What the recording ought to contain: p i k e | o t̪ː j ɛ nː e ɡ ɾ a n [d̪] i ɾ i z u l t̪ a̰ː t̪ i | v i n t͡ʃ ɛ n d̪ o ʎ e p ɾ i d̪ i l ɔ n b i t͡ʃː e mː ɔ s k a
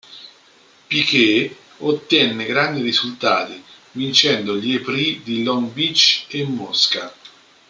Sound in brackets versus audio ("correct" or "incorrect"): correct